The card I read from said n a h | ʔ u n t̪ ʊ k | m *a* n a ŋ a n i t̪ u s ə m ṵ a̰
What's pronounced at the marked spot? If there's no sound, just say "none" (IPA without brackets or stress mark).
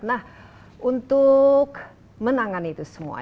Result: ə